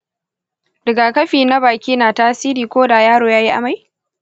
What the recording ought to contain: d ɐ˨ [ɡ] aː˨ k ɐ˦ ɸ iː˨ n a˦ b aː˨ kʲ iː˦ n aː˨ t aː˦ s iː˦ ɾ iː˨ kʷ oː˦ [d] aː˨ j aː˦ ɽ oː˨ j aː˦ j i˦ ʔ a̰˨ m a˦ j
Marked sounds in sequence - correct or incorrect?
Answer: correct, correct

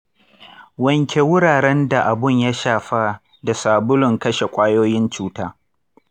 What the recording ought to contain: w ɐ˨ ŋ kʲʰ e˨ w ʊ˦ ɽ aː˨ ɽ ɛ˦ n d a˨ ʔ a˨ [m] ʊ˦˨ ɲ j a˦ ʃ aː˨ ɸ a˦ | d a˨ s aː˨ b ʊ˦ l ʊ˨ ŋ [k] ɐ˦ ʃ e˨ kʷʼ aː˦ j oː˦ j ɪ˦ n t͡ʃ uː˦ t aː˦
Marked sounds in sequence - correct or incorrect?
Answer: incorrect: b, correct

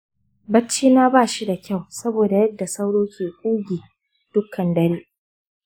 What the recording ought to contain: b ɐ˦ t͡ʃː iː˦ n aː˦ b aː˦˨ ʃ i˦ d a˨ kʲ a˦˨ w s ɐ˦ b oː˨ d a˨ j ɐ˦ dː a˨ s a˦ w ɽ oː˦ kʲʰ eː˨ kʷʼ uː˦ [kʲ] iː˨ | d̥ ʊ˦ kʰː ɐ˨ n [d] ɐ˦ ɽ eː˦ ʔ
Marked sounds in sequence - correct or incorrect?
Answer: incorrect: ɡʲ, correct

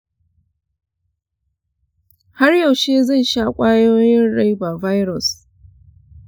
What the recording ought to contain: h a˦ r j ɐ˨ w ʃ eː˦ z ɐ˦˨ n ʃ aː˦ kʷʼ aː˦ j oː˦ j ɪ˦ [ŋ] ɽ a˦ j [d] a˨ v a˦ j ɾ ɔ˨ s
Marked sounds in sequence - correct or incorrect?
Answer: incorrect: n, incorrect: b

